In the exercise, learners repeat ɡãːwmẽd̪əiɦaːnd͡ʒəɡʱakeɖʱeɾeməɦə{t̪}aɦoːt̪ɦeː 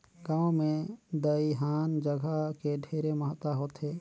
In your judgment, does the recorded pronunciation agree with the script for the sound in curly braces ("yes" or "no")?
yes